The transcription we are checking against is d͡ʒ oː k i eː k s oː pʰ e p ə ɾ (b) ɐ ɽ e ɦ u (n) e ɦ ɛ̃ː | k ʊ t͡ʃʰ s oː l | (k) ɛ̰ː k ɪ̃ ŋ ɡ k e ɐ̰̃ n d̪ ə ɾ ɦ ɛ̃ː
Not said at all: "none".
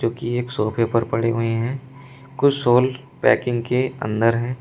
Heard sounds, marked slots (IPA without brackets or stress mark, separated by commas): p, none, p